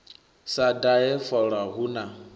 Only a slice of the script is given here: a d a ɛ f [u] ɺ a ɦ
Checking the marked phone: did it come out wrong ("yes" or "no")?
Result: yes